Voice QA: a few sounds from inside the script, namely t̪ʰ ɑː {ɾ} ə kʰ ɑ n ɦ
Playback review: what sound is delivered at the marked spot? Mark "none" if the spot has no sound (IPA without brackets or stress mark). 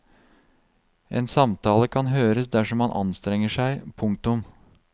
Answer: l